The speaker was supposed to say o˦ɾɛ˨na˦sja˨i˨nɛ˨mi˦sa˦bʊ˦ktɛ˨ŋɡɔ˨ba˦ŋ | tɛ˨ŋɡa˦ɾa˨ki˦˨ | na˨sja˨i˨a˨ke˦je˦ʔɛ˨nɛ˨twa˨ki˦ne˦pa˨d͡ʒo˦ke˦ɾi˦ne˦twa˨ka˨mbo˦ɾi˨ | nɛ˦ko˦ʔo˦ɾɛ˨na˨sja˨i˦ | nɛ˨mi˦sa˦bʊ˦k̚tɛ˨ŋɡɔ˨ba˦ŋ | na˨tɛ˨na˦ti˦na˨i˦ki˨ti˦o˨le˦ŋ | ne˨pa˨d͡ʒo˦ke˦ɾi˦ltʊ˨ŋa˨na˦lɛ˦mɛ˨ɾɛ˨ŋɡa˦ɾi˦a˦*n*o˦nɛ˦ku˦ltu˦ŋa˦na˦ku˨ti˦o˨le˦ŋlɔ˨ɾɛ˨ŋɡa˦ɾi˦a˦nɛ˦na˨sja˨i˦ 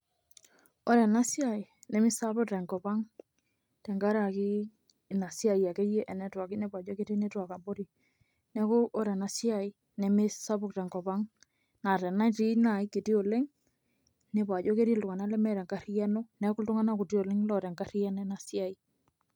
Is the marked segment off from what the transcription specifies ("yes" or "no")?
no